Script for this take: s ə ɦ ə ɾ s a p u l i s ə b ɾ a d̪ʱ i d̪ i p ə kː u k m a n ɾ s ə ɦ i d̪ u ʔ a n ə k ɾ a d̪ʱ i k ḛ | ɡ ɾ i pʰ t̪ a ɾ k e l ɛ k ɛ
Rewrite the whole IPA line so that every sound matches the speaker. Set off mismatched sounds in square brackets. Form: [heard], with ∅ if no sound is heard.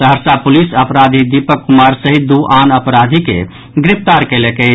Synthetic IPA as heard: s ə ɦ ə ɾ s a p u l i s ə [p] ɾ a d̪ʱ i d̪ i p ə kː u [∅] m a [∅] ɾ s ə ɦ i d̪ u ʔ a n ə [p] ɾ a d̪ʱ i k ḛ | ɡ ɾ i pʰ t̪ a ɾ k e l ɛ k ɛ